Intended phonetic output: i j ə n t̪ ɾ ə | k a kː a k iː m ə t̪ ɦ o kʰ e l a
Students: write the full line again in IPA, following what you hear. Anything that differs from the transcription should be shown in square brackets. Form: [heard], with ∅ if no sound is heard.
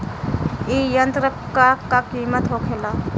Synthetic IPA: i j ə n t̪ ɾ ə | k a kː a k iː m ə t̪ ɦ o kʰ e l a